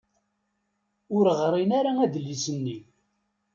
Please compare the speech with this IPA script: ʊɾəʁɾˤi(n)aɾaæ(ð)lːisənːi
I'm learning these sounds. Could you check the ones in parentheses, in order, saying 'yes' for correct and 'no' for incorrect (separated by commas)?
yes, yes